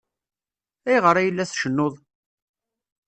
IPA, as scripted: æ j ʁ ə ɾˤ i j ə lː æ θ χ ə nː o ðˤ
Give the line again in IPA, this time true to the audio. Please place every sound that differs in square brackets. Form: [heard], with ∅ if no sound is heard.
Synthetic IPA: æ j ʁ ə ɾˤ [æ] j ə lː æ θ [ʃ] ə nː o ðˤ